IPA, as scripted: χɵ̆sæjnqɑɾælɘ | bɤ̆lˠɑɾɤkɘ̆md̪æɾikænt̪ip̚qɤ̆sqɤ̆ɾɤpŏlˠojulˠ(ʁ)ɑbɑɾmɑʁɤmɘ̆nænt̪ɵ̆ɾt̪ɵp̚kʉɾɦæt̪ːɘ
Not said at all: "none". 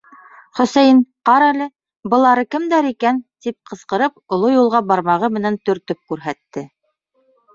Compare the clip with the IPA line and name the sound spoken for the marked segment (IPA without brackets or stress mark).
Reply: ʁ